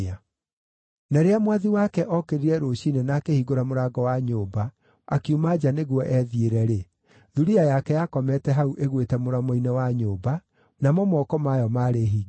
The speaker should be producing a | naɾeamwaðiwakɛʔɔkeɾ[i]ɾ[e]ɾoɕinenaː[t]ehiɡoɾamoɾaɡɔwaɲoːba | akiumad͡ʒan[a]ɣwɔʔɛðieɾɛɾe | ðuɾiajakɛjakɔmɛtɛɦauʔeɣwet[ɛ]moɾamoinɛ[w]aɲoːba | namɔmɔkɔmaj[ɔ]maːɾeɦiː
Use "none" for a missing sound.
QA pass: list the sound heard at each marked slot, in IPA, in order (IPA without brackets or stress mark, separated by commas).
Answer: i, ɛ, k, e, ɛ, w, ɔ